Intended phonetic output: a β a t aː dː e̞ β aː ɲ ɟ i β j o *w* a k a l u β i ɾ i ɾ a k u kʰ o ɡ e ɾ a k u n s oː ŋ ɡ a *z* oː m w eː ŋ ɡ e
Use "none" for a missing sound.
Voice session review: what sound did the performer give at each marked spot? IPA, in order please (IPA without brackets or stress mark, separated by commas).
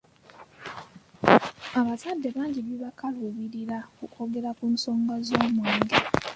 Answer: β, z